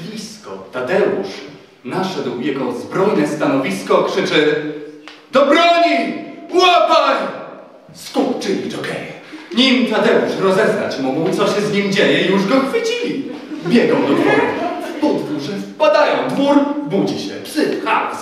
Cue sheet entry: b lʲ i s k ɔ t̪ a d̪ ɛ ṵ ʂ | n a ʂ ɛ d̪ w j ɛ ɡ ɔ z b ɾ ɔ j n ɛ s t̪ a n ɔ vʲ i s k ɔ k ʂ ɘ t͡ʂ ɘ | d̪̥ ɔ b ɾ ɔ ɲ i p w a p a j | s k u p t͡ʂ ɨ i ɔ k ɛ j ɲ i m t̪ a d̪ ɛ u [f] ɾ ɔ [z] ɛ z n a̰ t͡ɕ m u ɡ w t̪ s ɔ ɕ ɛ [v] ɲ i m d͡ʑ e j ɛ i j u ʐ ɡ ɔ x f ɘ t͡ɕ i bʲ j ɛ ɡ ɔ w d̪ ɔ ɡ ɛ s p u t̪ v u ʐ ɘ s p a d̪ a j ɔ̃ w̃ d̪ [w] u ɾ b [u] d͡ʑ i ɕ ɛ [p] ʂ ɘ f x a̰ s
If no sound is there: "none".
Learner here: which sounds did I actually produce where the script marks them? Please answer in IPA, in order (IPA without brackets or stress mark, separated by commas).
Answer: ʂ, z, z, v, u, p